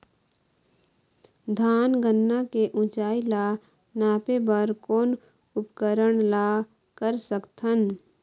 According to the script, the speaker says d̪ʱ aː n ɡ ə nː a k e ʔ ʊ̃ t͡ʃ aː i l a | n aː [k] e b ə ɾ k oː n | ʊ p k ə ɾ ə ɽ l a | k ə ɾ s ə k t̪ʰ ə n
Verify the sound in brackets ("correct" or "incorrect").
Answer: incorrect